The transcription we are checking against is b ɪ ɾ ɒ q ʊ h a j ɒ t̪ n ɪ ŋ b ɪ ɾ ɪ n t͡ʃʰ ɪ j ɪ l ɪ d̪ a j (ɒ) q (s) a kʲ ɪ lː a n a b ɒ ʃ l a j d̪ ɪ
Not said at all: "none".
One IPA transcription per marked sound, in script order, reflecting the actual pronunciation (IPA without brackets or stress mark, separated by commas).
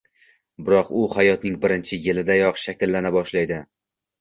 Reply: ɒ, ʃ